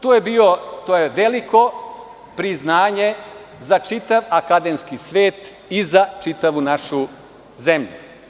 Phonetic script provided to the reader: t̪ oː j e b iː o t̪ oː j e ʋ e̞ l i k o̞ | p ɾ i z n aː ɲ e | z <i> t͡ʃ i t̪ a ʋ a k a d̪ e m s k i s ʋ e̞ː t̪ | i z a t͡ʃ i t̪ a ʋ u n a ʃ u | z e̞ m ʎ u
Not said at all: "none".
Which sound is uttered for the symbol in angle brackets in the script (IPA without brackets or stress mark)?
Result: a